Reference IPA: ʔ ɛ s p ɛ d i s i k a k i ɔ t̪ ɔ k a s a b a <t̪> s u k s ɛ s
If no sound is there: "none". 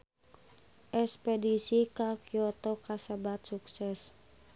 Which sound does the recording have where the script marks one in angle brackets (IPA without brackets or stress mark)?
t̪